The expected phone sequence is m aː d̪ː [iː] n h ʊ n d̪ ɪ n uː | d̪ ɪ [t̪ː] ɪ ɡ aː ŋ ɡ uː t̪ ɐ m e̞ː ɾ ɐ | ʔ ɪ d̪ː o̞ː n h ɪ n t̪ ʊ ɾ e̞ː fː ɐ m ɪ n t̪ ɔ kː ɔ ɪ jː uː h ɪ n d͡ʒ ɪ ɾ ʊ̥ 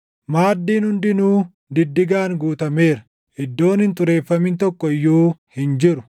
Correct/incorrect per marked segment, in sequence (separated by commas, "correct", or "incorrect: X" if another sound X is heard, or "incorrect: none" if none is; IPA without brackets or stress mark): correct, incorrect: d̪ː